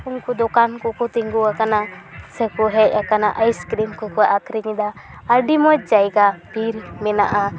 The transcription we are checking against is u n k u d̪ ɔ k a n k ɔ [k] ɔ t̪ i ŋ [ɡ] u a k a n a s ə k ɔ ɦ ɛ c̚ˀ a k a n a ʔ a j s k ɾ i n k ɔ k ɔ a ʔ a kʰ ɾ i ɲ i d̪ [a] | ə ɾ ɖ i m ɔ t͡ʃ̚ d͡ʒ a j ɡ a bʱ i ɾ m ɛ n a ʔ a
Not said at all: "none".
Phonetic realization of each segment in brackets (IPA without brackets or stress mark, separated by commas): k, ɡ, a